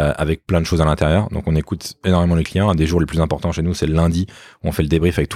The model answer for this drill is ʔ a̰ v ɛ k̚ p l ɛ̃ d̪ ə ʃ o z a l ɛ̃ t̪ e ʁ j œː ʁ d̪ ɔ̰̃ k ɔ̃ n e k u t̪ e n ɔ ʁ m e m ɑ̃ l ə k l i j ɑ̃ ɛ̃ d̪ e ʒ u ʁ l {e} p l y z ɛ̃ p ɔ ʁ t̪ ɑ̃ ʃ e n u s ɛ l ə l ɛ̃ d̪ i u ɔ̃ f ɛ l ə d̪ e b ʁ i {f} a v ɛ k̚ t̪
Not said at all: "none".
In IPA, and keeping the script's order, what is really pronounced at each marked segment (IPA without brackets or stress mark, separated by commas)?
e, f